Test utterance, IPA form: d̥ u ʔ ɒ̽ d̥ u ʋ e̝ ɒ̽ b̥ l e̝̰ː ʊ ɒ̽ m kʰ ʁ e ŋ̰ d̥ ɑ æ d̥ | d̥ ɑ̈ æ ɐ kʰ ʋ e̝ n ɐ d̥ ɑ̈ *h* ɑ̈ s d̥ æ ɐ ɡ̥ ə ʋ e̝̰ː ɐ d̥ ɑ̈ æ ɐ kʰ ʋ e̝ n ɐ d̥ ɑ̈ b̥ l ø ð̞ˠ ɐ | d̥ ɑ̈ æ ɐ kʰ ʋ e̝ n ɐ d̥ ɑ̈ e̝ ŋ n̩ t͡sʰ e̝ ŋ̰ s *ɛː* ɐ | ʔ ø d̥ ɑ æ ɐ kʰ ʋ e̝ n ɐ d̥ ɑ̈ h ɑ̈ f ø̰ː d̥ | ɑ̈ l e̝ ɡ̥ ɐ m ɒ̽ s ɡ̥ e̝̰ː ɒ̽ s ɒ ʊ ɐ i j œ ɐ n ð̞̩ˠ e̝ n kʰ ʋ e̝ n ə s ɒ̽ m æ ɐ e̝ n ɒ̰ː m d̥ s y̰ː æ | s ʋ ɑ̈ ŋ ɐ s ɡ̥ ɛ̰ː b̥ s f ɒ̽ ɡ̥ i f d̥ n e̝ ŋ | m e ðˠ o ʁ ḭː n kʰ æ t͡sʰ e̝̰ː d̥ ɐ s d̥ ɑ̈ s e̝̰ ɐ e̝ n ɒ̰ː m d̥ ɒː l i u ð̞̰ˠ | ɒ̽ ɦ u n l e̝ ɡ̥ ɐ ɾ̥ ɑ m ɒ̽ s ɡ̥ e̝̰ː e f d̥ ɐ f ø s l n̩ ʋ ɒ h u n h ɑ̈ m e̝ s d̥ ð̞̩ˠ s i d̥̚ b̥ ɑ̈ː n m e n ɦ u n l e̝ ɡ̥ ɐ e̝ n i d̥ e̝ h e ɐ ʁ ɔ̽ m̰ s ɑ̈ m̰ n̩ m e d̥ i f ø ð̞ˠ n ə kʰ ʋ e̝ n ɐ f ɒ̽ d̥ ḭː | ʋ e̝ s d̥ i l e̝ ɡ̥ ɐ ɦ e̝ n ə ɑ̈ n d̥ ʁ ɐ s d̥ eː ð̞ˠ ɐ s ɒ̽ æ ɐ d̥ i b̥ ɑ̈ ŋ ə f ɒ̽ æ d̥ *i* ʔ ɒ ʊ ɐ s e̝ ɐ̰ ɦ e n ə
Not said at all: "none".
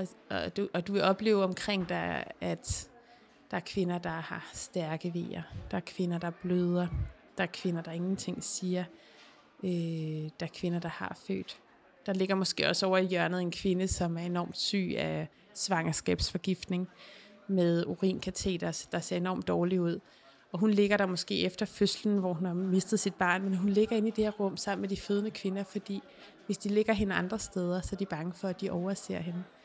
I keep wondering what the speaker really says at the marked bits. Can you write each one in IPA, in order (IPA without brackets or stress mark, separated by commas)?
h, iː, i